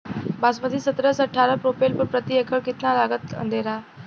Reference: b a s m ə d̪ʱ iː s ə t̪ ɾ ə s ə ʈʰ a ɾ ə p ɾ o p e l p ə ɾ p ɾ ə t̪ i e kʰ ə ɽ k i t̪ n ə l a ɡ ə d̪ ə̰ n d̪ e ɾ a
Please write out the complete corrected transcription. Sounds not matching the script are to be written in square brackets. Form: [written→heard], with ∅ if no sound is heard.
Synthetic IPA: b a s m ə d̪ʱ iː s ə t̪ ɾ ə s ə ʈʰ a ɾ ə p ɾ o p e l p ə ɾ p ɾ ə t̪ i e kʰ ə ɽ k i t̪ n [ə→a] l a ɡ ə [d̪→t̪] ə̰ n d̪ e ɾ a